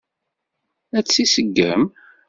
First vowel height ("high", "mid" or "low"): low